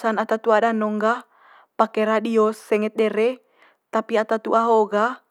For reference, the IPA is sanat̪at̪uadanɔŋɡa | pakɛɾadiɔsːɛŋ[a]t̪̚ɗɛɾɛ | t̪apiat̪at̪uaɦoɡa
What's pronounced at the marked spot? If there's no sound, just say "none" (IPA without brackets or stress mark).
ɛ